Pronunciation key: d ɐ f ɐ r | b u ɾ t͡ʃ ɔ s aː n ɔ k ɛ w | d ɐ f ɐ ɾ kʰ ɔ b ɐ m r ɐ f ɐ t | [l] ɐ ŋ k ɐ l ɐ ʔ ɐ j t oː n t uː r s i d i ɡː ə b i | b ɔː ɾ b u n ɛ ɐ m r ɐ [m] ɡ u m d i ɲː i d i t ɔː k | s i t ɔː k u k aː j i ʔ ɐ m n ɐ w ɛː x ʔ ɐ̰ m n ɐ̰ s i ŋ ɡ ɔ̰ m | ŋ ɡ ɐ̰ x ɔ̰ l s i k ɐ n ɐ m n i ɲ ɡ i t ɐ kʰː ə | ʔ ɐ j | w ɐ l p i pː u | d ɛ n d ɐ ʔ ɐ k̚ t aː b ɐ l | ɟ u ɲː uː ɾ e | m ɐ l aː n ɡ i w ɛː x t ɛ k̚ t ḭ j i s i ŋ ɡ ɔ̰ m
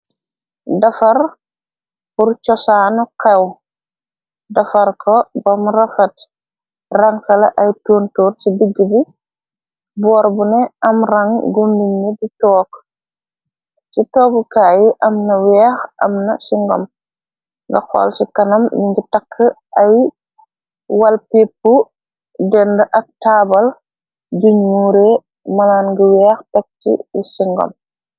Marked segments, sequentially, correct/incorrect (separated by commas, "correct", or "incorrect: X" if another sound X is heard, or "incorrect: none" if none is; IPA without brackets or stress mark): incorrect: r, incorrect: ŋ